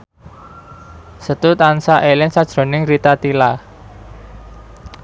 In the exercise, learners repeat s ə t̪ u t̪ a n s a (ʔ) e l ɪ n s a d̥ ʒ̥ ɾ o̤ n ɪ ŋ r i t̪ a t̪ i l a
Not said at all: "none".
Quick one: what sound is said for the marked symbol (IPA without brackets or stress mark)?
ʔ